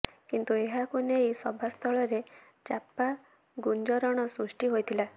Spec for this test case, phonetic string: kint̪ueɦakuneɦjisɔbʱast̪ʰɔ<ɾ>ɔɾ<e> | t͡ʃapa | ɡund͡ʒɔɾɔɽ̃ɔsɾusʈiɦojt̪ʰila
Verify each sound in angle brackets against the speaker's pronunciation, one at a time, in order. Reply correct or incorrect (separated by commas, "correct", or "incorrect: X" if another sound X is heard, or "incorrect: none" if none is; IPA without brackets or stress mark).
incorrect: ɭ, correct